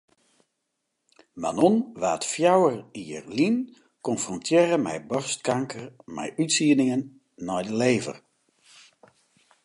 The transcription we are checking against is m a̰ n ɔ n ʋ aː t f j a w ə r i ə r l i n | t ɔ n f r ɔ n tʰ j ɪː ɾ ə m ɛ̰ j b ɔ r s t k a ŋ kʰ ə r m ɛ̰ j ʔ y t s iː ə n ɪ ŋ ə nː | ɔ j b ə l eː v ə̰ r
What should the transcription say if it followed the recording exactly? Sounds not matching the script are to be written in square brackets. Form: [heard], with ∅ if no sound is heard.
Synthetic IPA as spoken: m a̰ n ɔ n ʋ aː t f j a w ə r i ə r l i n | [k] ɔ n f r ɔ n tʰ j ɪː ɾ ə m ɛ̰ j b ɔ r s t k a ŋ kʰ ə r m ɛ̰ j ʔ y t s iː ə n ɪ ŋ ə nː | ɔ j [d] ə l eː v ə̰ r